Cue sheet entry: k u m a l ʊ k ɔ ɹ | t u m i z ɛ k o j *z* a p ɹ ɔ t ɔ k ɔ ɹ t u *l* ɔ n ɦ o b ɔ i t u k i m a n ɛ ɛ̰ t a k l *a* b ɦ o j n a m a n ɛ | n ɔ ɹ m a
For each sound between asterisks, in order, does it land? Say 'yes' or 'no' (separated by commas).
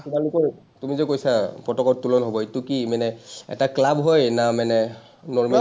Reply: no, yes, yes